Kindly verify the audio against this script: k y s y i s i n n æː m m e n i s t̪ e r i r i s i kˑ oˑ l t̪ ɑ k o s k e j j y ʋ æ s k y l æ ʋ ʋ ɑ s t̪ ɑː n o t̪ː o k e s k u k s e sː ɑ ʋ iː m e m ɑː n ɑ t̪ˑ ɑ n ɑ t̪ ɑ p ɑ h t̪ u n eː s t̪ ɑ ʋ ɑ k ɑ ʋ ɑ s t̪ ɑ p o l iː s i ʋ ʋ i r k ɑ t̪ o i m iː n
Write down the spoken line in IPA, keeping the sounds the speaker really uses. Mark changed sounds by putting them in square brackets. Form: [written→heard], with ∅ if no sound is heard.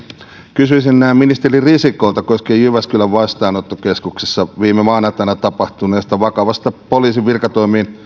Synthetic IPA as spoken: k y s y i s i n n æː m m [e→i] n i s t̪ e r i r i s i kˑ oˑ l t̪ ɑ k o s k e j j y ʋ æ s k y l æ ʋ ʋ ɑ s t̪ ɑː n o t̪ː o k e s k u k s e sː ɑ ʋ iː m e m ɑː n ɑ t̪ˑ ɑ n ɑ t̪ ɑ p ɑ h t̪ u n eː s t̪ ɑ ʋ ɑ k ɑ ʋ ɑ s t̪ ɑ p o l iː s i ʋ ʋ i r k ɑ t̪ o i m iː n